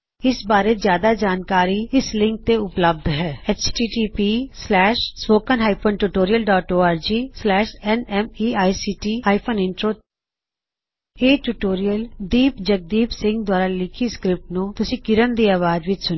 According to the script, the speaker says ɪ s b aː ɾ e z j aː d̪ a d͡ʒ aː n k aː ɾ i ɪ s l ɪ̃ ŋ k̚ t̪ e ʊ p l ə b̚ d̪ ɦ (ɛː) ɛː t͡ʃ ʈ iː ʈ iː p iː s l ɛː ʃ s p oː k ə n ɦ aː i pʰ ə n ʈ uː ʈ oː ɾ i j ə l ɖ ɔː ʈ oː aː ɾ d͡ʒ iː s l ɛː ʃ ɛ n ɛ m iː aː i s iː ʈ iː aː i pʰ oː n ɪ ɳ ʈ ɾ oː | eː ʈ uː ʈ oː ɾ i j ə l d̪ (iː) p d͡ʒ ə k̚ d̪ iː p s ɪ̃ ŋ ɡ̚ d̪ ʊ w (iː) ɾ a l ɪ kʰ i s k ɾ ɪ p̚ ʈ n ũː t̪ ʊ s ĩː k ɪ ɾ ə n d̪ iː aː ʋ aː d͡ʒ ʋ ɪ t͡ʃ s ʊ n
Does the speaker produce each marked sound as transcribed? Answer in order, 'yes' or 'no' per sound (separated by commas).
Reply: yes, yes, no